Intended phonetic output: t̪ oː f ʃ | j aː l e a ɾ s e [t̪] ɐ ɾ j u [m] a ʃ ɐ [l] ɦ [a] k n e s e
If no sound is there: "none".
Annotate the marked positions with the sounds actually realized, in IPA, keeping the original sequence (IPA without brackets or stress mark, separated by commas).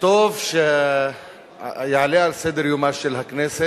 d̪, m, l, ɐ